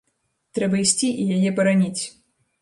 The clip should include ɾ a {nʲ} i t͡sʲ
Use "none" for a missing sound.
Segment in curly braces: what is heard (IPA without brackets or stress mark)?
nʲ